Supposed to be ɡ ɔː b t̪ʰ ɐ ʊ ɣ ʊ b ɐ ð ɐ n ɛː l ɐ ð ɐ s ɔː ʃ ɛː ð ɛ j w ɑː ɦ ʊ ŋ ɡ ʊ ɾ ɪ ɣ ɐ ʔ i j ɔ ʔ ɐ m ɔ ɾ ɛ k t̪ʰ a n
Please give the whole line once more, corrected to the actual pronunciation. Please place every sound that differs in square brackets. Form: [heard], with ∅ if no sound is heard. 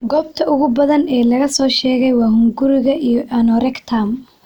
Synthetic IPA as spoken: ɡ ɔː b t̪ʰ ɐ ʊ ɣ ʊ b ɐ ð ɐ n ɛː l ɐ [ɣ] ɐ s ɔː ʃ ɛː [ɣ] ɛ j w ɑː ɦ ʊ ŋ ɡ ʊ ɾ ɪ ɣ ɐ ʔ i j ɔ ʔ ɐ [n] ɔ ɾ ɛ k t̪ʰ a [m]

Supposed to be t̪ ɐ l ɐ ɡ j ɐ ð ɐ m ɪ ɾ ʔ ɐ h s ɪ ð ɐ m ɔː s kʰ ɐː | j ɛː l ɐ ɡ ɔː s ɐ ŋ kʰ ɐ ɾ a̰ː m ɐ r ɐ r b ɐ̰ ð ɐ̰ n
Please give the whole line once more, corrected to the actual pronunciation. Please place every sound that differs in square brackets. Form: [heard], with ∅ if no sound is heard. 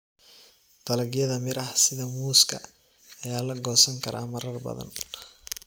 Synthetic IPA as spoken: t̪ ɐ l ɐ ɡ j ɐ ð ɐ m ɪ ɾ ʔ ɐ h s ɪ ð ɐ m [uː] s kʰ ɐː | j [aː] l ɐ ɡ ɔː s ɐ ŋ kʰ ɐ ɾ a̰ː m ɐ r ɐ r b ɐ̰ ð ɐ̰ n

